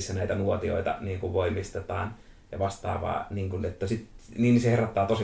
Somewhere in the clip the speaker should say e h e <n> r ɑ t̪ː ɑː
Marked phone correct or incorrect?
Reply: incorrect